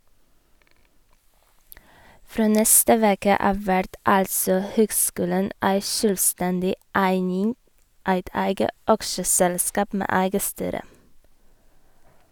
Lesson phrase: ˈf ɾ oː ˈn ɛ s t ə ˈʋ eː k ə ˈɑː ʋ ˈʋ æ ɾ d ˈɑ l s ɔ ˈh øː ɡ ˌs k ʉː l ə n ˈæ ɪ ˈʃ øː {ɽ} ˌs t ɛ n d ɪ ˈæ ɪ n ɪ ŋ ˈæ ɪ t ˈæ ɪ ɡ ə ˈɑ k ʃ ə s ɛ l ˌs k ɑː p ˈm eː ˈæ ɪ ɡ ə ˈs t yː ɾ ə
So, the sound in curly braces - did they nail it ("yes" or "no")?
no